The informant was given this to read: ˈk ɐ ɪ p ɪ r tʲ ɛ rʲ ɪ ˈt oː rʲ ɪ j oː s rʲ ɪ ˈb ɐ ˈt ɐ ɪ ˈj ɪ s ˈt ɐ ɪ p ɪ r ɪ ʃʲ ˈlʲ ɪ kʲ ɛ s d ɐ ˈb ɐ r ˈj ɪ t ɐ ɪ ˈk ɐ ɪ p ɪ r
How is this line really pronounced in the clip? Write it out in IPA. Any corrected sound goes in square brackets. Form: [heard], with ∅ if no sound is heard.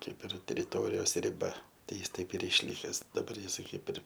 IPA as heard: ˈk ɐ ɪ p ɪ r tʲ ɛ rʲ ɪ ˈt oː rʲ ɪ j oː s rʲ ɪ ˈb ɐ ˈt ɐ ɪ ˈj ɪ s ˈt ɐ ɪ p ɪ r ɪ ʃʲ ˈlʲ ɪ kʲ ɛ s d ɐ ˈb ɐ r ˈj ɪ [s] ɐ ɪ ˈk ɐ ɪ p ɪ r